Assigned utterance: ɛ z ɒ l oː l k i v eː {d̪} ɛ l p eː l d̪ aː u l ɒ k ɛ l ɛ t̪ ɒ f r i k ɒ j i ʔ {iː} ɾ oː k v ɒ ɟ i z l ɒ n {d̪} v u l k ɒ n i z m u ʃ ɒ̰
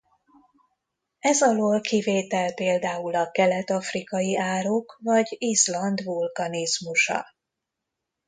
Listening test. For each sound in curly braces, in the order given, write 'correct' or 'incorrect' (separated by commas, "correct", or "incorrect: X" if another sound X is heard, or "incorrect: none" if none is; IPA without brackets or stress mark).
incorrect: t̪, incorrect: aː, correct